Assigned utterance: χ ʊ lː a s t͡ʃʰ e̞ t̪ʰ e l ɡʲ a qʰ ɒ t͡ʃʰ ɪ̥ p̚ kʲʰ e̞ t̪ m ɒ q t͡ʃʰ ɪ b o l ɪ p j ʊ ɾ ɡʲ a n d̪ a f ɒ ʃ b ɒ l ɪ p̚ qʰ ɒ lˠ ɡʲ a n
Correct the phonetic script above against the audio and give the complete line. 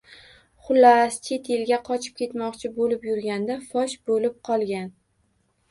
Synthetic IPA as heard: χ ʊ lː a s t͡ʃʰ e̞ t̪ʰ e l ɡʲ a qʰ ɒ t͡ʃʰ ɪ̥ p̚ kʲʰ e̞ t̪ m ɒ q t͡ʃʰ ɪ b o l ɪ p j ʊ ɾ ɡʲ a n d̪ a f ɒ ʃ b o l ɪ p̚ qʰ ɒ lˠ ɡʲ a n